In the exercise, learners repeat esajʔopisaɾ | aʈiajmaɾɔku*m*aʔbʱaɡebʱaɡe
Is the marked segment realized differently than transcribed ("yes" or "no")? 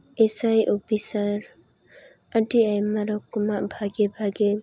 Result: no